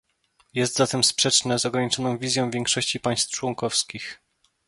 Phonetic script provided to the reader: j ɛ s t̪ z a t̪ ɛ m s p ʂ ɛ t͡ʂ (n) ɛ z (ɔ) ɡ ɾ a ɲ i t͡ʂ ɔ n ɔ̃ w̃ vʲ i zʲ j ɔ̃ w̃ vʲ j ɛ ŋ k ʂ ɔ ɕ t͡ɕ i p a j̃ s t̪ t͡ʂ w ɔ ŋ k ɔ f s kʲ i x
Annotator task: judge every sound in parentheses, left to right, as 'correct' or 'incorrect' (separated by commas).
correct, correct